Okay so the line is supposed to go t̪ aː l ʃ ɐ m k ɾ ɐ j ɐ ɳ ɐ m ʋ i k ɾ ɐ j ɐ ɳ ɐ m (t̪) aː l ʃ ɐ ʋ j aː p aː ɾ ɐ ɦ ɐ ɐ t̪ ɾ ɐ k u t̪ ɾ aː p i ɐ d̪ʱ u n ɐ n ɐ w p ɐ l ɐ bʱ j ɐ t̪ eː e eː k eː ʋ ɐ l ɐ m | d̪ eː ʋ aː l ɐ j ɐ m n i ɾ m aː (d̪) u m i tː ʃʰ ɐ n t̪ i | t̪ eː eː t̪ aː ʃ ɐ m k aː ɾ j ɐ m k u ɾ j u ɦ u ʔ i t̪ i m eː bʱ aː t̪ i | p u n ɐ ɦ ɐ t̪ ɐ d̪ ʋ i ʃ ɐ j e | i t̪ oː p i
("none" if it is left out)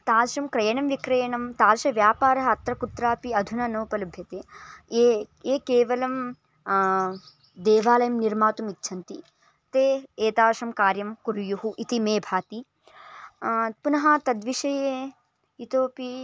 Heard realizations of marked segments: t̪, t̪

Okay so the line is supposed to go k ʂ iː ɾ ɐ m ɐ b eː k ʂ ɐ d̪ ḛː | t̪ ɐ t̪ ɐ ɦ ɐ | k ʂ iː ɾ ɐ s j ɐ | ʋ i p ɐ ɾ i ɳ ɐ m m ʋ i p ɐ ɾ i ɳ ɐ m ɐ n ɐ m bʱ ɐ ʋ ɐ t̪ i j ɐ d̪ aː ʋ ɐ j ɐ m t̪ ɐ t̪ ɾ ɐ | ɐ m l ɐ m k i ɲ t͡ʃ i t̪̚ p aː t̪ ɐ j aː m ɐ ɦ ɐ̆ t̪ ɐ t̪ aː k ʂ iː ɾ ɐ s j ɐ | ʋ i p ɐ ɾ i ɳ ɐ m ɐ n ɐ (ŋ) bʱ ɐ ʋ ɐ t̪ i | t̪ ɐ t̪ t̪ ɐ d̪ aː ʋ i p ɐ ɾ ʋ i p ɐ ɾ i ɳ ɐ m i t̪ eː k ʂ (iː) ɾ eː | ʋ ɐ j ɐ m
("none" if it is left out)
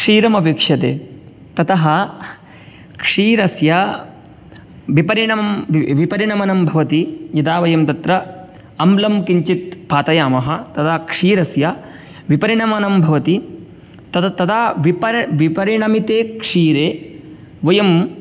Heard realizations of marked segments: m, iː

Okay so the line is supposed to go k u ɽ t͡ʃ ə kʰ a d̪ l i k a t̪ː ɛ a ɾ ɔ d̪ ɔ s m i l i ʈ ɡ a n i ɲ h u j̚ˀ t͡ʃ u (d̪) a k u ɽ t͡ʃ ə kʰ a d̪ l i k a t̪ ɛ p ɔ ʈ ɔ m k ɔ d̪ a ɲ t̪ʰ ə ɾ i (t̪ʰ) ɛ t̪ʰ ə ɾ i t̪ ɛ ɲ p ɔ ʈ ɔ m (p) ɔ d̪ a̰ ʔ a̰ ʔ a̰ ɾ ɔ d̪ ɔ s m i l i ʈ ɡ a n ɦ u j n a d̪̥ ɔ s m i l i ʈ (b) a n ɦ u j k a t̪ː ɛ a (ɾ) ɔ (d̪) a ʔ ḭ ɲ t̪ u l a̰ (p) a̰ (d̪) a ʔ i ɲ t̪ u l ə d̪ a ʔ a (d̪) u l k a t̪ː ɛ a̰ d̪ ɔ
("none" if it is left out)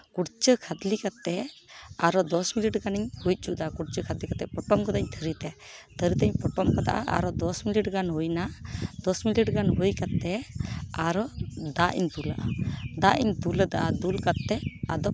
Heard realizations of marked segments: d̪, t̪, k, ɡ, ɾ, d̪, ʔ, d̪, d̪

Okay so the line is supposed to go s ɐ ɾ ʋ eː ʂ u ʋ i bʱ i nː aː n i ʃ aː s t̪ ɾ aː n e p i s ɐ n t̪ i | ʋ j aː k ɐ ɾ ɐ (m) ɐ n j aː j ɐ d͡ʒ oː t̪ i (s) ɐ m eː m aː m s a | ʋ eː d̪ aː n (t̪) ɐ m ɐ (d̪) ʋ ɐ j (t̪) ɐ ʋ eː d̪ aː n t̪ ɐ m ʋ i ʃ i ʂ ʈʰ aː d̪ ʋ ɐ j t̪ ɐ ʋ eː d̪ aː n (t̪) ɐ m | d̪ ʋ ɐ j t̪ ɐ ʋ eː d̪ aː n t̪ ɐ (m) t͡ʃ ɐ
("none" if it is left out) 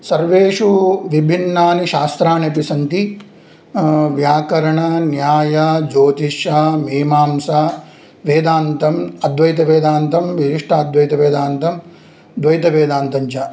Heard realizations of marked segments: ɳ, ʃ, t̪, d̪, t̪, t̪, ɲ

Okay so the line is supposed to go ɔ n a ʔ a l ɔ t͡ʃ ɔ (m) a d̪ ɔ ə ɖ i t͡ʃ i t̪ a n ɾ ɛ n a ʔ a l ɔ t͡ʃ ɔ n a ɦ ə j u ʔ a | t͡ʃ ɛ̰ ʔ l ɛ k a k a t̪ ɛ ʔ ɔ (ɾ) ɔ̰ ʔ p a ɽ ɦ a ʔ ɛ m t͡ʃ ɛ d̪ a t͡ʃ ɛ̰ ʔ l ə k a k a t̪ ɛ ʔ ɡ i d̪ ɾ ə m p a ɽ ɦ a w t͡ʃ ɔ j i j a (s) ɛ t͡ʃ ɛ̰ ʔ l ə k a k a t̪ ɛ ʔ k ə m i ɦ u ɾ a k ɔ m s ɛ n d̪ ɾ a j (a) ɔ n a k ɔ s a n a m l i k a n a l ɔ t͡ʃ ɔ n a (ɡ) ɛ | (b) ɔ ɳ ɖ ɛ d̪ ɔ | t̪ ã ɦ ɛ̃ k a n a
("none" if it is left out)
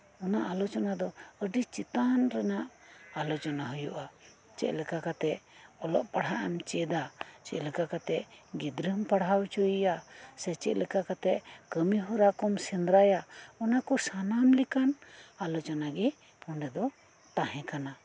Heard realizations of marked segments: n, l, s, a, ɡ, p

